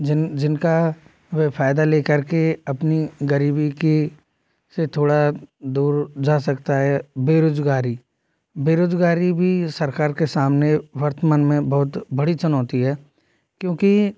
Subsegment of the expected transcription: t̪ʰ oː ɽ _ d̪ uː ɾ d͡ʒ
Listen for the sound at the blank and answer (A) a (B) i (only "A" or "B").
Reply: A